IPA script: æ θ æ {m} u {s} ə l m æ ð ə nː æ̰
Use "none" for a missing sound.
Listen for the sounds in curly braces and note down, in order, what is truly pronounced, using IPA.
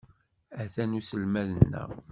n, s

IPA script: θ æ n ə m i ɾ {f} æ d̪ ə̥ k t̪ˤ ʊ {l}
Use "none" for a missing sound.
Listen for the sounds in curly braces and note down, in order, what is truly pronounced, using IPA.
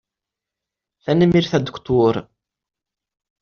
θ, ɾ

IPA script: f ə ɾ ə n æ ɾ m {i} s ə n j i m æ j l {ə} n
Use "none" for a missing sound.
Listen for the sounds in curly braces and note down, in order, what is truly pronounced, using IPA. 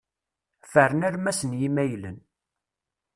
æ, ə

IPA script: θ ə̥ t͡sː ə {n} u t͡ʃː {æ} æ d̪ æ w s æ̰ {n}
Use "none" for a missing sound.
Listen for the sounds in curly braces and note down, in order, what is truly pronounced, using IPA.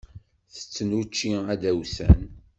n, i, n

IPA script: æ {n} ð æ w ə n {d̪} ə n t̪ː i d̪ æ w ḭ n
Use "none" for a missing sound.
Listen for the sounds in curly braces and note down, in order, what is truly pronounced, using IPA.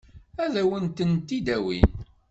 none, t̪

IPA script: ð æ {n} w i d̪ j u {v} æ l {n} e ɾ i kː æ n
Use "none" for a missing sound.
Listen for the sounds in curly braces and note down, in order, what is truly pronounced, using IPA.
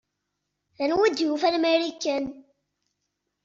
n, f, m

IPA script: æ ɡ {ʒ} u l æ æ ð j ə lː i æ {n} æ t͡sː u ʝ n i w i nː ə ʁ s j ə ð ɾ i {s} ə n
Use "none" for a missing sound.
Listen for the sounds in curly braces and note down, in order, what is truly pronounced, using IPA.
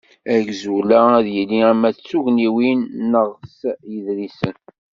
z, m, s

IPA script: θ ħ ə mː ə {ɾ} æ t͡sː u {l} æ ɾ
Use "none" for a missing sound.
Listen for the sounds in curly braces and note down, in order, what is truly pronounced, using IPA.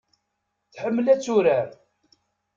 l, ɾ

